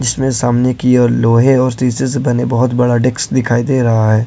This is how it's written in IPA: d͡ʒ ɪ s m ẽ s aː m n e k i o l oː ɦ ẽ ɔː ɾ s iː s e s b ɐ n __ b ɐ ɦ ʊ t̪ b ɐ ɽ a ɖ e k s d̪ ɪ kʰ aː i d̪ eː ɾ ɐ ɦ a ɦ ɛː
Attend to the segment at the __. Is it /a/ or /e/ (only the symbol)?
e